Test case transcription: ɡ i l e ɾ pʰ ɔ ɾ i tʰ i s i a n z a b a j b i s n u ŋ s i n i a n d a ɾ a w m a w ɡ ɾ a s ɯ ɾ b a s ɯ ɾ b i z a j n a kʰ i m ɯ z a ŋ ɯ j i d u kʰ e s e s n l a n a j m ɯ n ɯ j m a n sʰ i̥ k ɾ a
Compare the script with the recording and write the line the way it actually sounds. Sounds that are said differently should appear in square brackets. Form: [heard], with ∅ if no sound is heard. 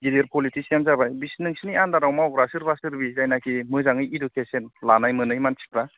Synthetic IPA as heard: ɡ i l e ɾ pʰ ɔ [l] i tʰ i s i a n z a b a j b i s n [ɯ] ŋ s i n i a n d a ɾ a w m a w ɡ ɾ a s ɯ ɾ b a s ɯ ɾ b i z a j n a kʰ i m ɯ z a ŋ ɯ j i d u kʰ e s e [∅] n l a n a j m ɯ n ɯ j m a n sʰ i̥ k ɾ a